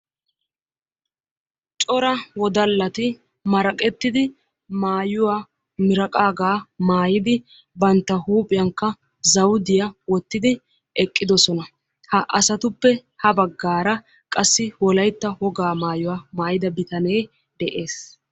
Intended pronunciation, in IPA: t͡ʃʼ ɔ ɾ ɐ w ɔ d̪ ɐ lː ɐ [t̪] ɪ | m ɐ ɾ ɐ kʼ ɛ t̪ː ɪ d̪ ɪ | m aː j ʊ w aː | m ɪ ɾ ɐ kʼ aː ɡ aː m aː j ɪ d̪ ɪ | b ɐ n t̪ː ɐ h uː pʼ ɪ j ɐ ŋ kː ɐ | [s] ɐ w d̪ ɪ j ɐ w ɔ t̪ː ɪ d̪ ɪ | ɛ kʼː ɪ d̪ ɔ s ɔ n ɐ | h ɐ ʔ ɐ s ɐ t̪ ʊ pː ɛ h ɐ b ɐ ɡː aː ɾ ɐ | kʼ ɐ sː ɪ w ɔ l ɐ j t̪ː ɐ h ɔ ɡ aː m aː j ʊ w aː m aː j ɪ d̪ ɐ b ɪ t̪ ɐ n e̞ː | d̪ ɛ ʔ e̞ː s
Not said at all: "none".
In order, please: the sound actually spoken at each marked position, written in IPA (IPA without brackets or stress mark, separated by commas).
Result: t̪, z